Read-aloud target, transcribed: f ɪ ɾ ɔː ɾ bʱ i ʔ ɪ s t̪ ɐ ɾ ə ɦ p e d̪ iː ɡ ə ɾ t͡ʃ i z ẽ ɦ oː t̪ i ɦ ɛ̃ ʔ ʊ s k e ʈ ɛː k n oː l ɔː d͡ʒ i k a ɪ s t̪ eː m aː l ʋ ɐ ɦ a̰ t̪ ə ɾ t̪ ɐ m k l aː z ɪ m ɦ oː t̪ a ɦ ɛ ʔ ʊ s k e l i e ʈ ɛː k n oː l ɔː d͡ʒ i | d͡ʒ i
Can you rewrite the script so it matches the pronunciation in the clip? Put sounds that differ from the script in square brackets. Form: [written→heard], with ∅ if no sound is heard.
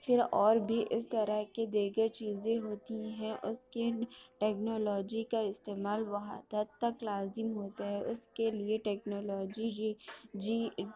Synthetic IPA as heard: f ɪ ɾ ɔː ɾ bʱ i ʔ ɪ s t̪ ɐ ɾ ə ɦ [p→k] e d̪ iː ɡ ə ɾ t͡ʃ [i→iː] z ẽ ɦ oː t̪ i ɦ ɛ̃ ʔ ʊ s k e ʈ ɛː k n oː l ɔː d͡ʒ i k a ɪ s t̪ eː m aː l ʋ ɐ ɦ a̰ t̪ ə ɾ t̪ ɐ [m→∅] k l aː z ɪ m ɦ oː t̪ a ɦ ɛ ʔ ʊ s k e l i e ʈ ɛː k n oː l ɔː d͡ʒ i | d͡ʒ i

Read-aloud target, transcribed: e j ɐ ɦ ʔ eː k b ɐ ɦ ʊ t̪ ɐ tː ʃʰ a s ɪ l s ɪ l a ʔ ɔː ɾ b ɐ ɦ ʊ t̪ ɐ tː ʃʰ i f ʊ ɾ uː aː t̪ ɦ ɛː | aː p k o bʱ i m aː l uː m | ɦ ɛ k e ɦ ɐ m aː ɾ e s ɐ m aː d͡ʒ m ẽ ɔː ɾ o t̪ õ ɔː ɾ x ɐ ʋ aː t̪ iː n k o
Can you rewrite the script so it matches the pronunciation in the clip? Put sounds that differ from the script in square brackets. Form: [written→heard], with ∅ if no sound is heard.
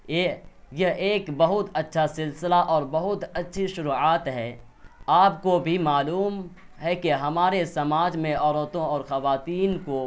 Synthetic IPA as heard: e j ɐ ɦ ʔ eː k b ɐ ɦ ʊ t̪ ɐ tː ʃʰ a s ɪ l s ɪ l a ʔ ɔː ɾ b ɐ ɦ ʊ t̪ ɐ tː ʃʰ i [f→ʃ] ʊ ɾ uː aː t̪ ɦ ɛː | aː p k o bʱ i m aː l uː m | ɦ ɛ k e ɦ ɐ m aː ɾ e s ɐ m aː d͡ʒ m ẽ ɔː ɾ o t̪ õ ɔː ɾ x ɐ ʋ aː t̪ iː n k o

